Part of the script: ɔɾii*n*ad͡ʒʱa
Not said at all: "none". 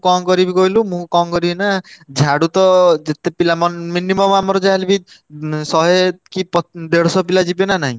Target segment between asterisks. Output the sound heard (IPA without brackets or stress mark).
n